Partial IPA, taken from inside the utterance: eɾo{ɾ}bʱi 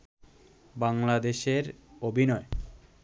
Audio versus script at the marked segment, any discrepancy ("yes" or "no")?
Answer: yes